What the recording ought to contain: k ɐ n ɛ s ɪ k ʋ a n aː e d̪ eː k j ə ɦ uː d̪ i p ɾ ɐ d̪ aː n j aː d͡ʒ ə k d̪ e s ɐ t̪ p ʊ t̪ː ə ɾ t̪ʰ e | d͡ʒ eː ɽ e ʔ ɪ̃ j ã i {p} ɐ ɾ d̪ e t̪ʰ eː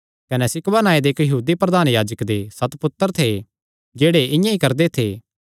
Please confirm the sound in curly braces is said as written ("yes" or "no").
no